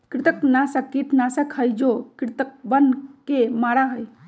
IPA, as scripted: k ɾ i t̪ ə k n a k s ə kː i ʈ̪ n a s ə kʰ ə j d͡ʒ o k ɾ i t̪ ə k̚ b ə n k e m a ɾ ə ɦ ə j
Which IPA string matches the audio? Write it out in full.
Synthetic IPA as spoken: k ɾ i t̪ ə k n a s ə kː i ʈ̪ n a s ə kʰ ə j d͡ʒ o k ɾ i t̪ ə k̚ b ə n k e m a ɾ a ɦ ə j